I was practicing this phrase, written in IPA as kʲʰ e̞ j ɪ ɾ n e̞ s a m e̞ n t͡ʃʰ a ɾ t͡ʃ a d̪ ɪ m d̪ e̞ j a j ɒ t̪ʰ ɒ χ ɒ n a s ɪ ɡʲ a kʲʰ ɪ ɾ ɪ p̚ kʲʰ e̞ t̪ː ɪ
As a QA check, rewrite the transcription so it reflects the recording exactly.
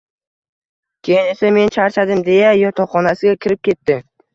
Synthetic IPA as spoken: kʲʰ e̞ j ɪ n e̞ s a m e̞ n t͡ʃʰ a ɾ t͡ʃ a d̪ ɪ m d̪ e̞ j a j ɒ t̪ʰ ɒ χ ɒ n a s ɪ ɡʲ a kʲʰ ɪ ɾ ɪ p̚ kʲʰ e̞ t̪ː ɪ